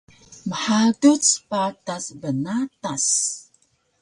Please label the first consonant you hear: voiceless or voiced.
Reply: voiced